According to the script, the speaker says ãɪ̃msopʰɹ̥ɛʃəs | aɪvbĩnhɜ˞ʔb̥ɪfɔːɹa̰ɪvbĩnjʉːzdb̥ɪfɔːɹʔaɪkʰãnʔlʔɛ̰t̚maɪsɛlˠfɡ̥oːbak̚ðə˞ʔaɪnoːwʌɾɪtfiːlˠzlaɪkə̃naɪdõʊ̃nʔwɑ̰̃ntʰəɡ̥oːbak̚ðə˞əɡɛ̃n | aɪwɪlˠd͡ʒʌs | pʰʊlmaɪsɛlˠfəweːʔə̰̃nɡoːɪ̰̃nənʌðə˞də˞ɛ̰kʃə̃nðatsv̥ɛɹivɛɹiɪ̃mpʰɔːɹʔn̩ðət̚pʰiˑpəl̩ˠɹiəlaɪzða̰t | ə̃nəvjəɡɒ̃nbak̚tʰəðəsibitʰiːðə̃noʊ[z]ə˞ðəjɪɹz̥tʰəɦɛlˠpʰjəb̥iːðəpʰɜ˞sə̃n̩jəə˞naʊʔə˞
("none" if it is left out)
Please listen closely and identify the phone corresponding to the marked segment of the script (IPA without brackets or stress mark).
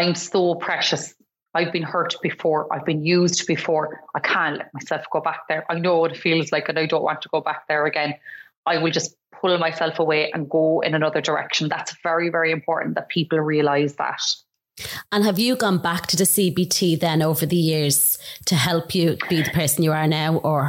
v